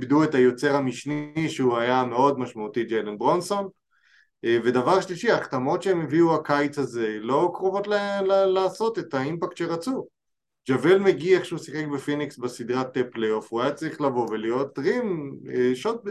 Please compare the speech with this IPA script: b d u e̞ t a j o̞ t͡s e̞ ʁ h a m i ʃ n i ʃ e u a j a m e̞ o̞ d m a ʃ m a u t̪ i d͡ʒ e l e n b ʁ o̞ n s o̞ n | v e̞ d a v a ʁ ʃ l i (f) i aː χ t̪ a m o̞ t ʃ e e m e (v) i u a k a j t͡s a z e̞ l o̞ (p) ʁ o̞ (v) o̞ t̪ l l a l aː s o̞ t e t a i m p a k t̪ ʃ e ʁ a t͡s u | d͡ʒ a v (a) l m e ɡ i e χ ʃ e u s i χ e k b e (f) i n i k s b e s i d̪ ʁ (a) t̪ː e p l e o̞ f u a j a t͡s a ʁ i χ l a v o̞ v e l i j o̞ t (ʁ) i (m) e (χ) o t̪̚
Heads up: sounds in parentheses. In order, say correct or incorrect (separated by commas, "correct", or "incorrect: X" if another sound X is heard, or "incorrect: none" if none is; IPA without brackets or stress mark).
incorrect: ʃ, correct, incorrect: k, correct, incorrect: e, correct, correct, correct, correct, incorrect: ʃ